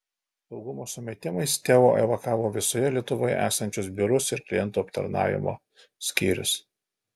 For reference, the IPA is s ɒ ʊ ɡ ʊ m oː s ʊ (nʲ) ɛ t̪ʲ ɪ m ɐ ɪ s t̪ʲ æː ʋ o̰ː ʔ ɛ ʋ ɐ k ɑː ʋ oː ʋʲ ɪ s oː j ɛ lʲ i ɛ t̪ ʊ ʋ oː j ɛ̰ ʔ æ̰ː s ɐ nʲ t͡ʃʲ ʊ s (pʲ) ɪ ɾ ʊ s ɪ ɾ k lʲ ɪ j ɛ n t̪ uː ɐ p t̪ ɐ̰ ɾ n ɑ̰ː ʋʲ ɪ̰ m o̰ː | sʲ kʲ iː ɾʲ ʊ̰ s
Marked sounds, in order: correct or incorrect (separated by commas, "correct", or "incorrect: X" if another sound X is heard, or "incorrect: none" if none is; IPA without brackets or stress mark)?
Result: incorrect: mʲ, incorrect: bʲ